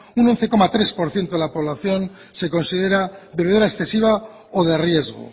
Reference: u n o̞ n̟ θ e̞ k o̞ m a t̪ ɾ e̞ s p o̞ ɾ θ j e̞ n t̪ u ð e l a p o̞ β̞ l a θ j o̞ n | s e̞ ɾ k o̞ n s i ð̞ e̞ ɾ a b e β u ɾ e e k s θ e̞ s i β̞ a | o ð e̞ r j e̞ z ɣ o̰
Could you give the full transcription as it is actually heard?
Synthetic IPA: u n o̞ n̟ θ e̞ k o̞ m a t̪ ɾ e̞ s p o̞ ɾ θ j e̞ n t̪ o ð e l a p o̞ β̞ l a θ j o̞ n | s e̞ k o̞ n s i ð̞ e̞ ɾ a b e β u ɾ a e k s θ e̞ s i β̞ a | o ð e̞ r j e̞ z ɣ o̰